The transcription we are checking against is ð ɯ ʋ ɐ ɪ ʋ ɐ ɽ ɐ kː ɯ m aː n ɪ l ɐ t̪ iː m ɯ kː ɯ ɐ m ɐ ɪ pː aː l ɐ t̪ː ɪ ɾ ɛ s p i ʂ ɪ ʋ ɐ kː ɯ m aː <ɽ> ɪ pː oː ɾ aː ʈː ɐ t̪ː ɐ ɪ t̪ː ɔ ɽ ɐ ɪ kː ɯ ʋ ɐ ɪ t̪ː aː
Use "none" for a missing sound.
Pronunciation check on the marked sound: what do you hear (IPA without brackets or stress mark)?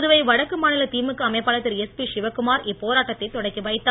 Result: ɾ